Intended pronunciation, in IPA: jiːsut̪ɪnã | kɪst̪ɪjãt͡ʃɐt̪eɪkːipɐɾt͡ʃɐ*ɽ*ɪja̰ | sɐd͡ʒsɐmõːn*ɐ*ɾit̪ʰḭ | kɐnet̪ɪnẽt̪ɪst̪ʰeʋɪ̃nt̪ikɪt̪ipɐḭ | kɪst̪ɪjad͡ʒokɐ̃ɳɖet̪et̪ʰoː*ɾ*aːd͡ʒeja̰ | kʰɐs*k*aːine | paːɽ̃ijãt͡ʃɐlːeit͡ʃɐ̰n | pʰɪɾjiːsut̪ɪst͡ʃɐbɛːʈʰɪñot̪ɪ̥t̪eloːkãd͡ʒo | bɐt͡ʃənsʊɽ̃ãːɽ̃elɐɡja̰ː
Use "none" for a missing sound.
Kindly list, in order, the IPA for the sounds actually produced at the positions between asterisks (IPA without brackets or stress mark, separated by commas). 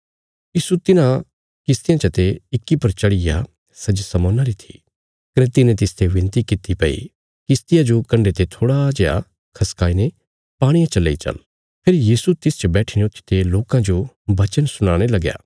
ɽ, a, ɽ, k